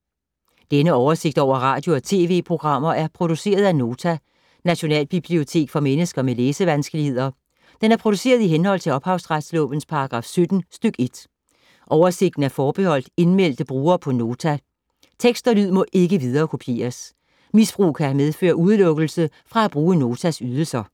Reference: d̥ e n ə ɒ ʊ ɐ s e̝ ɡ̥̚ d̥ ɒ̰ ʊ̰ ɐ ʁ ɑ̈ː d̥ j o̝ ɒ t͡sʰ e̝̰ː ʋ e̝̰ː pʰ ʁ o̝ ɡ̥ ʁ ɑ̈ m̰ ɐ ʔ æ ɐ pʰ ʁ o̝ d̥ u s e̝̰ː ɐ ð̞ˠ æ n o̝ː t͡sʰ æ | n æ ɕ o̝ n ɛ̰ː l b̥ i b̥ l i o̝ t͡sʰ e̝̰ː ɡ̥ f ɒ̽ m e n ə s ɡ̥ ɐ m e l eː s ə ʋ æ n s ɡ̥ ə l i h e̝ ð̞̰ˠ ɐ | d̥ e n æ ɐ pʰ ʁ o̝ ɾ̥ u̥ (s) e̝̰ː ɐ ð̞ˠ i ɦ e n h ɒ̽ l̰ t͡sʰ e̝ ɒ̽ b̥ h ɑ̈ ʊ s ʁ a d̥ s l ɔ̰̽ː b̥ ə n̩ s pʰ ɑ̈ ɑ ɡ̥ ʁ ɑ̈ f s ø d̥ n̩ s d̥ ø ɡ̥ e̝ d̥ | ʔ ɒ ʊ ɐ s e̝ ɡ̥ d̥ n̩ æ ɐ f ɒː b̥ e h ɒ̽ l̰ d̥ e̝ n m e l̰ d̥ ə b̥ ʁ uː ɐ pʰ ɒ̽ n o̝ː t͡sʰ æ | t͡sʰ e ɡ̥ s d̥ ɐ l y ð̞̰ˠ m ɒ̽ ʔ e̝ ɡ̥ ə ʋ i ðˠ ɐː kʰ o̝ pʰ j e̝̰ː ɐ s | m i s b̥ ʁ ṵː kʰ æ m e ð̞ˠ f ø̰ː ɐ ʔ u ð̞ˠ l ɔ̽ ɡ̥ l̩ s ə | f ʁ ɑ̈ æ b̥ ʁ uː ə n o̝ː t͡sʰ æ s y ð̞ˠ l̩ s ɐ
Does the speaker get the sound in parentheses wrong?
no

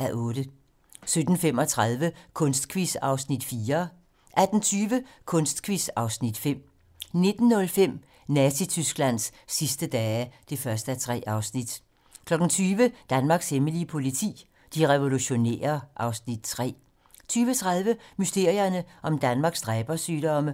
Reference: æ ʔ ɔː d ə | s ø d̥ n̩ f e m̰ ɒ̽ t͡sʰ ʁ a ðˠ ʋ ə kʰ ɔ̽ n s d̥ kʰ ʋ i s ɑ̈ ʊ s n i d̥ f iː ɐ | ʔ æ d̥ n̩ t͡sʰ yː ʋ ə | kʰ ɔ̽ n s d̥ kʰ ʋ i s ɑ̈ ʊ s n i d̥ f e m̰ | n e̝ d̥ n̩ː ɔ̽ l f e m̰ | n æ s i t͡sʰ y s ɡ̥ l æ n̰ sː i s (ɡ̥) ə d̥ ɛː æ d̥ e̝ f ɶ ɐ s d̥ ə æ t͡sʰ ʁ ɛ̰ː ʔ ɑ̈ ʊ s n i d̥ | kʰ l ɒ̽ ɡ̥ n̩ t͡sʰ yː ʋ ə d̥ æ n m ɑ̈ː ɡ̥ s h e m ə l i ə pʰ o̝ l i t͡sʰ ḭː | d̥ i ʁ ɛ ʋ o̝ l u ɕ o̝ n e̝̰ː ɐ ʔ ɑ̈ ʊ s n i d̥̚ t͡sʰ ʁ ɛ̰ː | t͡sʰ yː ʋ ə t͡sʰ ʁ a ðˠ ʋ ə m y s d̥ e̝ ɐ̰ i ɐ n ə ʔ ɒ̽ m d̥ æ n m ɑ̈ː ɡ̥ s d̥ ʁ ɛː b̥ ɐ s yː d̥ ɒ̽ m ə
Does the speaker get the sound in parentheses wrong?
yes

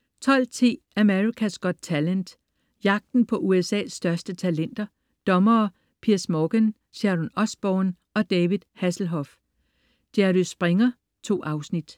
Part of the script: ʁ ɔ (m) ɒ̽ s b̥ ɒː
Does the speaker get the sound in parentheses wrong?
yes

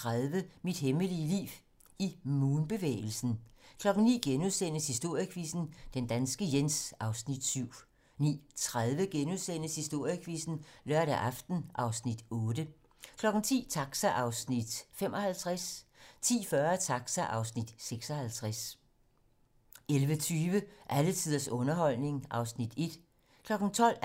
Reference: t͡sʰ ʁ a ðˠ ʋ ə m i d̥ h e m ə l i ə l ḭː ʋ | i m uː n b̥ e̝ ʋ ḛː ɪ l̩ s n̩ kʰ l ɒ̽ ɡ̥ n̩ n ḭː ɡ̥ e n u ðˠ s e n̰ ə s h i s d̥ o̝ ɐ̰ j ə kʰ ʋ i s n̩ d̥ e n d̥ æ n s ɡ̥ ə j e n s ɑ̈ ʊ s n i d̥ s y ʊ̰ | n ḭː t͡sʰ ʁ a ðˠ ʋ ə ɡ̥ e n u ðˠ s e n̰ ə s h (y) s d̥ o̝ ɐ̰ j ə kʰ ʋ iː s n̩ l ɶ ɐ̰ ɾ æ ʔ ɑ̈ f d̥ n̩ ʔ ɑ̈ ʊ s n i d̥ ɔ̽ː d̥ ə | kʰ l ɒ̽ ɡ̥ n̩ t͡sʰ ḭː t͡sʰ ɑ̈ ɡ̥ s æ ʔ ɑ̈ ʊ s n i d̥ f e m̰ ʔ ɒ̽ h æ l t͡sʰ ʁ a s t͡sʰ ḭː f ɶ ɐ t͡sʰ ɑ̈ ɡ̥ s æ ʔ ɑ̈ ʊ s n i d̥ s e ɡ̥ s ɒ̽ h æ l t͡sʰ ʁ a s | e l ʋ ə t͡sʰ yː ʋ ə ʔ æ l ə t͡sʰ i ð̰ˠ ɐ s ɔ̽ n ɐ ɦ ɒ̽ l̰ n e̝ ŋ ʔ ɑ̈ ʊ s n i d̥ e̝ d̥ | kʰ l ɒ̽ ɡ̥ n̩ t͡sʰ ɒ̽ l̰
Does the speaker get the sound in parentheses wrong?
yes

